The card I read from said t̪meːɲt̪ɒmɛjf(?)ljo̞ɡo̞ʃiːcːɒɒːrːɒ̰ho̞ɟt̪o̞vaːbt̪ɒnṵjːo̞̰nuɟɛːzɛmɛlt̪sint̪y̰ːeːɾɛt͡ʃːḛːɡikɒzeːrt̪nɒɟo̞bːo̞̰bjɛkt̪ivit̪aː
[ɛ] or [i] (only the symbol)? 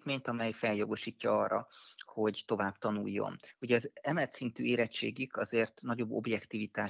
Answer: ɛ